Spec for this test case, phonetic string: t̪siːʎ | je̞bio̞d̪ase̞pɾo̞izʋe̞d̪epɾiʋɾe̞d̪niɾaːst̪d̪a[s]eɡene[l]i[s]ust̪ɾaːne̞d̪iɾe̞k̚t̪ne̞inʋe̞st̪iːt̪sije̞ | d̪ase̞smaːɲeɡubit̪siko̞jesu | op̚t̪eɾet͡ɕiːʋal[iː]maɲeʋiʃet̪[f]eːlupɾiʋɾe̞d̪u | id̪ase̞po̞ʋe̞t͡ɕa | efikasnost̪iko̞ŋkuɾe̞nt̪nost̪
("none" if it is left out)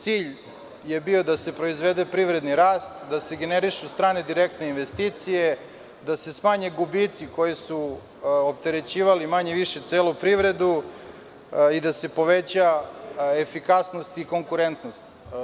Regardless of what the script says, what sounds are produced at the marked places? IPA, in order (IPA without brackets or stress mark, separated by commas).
s, ɾ, ʃ, i, s